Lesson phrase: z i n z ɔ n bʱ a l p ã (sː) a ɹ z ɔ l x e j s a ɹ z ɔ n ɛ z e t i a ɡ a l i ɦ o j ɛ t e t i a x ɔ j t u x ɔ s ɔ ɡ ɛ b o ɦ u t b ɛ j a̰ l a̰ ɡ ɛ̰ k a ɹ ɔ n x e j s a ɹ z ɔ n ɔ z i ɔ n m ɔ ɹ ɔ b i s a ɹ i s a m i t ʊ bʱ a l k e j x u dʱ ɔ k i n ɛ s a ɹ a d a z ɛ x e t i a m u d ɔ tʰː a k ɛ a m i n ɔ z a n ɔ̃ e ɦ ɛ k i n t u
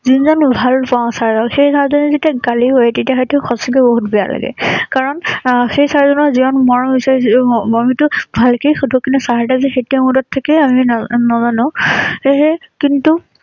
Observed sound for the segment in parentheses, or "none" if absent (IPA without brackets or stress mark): s